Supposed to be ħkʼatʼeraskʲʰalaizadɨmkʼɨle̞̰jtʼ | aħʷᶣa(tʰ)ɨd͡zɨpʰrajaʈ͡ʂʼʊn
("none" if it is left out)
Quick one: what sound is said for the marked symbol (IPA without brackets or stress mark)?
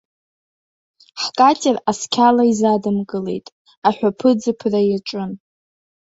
pʰ